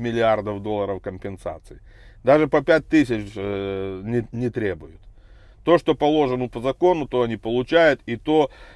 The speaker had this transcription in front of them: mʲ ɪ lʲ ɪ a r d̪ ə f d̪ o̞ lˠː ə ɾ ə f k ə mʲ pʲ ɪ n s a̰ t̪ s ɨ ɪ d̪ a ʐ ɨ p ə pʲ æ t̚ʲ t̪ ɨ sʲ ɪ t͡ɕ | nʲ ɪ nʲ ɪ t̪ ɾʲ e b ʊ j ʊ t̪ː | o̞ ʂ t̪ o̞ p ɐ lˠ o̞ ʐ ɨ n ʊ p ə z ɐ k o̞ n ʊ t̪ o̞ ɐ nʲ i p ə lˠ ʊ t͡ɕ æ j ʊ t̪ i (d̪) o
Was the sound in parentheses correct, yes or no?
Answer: no